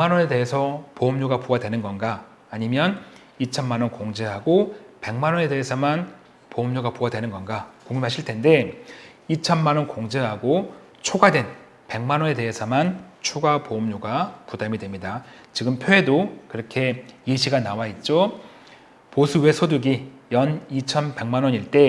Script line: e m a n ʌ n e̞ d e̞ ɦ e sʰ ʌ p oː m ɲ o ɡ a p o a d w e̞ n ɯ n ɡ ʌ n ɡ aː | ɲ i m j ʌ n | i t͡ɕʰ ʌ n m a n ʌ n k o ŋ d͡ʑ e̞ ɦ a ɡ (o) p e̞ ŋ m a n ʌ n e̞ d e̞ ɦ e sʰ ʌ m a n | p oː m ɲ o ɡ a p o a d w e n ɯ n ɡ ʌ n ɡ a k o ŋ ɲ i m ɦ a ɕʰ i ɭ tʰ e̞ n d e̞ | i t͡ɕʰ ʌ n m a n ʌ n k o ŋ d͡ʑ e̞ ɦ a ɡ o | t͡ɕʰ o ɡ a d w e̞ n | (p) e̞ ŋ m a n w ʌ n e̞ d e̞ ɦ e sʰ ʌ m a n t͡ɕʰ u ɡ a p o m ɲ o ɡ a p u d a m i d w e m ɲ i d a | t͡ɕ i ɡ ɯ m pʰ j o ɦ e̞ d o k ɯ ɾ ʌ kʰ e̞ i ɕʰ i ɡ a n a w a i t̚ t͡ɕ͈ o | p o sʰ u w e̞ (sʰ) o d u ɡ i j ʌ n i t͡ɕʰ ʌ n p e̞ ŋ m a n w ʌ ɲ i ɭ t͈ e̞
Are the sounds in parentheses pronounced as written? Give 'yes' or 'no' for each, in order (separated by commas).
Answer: yes, yes, yes